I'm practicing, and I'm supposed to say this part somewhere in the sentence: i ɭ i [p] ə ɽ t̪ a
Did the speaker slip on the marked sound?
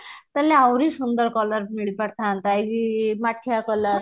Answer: no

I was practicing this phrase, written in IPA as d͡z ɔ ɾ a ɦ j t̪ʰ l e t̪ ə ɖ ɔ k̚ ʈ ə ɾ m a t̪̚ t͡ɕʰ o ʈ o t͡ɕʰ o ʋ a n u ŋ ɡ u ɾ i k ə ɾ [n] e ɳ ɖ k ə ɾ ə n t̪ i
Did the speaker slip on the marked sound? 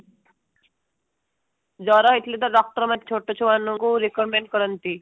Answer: yes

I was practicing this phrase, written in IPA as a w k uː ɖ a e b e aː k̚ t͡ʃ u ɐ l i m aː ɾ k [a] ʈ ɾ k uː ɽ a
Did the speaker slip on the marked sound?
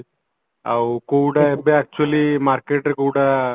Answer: yes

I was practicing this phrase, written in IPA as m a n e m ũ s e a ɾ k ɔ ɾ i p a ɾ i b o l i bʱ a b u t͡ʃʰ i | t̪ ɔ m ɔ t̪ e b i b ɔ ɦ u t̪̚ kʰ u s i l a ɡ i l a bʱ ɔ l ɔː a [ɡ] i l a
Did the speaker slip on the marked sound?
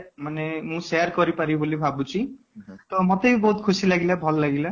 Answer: no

